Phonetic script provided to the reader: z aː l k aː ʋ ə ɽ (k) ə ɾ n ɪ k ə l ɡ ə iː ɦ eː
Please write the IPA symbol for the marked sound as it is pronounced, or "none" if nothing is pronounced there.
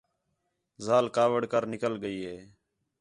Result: k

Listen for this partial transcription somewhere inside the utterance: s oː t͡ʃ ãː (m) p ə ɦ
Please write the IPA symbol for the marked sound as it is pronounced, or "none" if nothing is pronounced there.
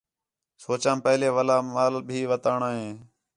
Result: m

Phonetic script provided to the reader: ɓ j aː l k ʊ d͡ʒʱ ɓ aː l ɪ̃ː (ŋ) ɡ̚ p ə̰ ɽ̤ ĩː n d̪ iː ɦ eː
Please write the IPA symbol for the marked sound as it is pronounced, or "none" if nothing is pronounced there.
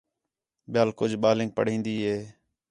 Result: ŋ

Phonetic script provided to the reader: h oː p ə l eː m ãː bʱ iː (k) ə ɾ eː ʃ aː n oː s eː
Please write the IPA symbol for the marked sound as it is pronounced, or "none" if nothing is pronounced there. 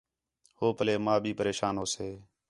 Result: p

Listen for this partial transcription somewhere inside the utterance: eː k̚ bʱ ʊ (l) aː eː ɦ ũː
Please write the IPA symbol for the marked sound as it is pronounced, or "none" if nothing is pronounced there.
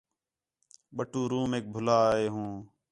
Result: l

